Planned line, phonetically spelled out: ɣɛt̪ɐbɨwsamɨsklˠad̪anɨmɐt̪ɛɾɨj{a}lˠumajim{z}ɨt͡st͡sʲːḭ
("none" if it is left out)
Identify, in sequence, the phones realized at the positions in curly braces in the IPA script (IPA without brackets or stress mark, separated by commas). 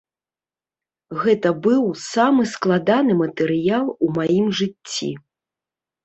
a, ʐ